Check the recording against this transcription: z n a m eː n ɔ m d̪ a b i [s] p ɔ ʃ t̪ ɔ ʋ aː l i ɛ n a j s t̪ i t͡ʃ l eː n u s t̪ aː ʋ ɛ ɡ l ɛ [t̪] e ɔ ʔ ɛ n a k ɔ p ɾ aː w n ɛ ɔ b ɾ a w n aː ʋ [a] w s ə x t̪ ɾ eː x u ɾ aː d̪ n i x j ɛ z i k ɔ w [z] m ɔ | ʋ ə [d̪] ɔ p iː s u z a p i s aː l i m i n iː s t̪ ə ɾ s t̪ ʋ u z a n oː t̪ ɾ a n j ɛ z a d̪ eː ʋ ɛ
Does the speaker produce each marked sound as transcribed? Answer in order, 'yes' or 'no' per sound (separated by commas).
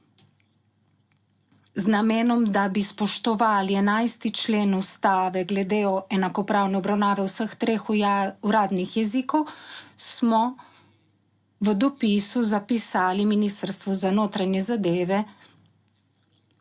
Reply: yes, no, no, no, yes